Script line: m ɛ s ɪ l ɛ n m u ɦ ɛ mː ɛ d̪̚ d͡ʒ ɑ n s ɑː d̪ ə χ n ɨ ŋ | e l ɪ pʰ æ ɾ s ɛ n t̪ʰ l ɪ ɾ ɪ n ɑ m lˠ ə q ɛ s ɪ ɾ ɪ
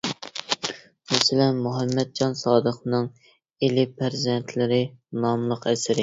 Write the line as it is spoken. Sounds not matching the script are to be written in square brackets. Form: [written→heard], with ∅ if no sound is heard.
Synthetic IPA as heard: m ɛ s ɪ l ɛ n m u ɦ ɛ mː ɛ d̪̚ d͡ʒ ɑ n s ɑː d̪ ə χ n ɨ ŋ | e l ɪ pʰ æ ɾ [s→z] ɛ n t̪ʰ l ɪ ɾ ɪ n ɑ m lˠ ə q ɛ s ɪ ɾ ɪ